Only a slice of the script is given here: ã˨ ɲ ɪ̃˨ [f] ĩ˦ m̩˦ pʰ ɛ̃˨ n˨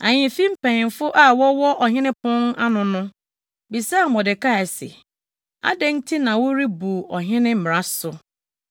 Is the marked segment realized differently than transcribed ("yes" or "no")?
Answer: no